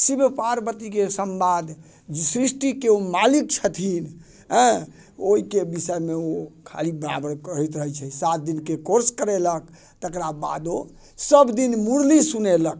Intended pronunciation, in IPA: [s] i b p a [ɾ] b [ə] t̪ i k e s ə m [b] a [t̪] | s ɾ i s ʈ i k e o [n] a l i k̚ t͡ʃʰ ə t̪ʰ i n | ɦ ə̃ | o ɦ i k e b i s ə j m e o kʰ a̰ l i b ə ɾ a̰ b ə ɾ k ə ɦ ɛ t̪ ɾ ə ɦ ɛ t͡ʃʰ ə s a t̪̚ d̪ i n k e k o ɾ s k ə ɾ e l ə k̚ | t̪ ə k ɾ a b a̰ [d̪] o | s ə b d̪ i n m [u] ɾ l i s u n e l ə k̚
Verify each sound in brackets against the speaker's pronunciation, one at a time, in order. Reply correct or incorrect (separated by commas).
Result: correct, correct, correct, correct, incorrect, incorrect, correct, correct